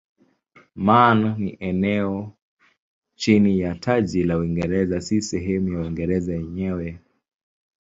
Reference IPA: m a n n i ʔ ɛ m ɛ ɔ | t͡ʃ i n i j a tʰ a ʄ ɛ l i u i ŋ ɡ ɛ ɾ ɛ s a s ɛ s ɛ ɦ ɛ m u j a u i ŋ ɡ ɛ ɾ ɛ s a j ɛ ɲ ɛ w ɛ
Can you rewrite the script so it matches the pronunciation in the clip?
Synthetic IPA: m a n n i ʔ ɛ n ɛ ɔ | t͡ʃ i n i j a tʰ a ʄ i l a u i ŋ ɡ ɛ ɾ ɛ z a s i s ɛ ɦ ɛ m u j a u i ŋ ɡ ɛ ɾ ɛ z a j ɛ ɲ ɛ w ɛ